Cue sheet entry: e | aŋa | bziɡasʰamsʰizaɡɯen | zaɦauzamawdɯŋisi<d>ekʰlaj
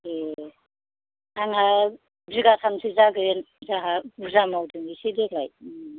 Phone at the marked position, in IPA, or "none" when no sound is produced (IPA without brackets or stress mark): d